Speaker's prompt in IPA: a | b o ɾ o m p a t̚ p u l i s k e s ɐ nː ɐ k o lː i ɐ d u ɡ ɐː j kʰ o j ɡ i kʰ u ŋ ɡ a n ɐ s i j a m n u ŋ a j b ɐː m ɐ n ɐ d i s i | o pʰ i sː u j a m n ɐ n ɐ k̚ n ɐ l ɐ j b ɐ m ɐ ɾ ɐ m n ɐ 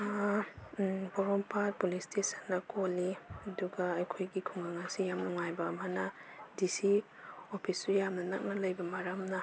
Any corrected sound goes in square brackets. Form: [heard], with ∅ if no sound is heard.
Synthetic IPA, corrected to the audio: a | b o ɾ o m p a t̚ p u l i s [t] e s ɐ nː ɐ k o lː i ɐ d u ɡ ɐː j kʰ o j ɡ i kʰ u ŋ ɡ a [ŋ] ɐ s i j a m n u ŋ a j b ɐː m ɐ n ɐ d i s i | o pʰ i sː u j a m n ɐ n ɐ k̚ n ɐ l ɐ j b ɐ m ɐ ɾ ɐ m n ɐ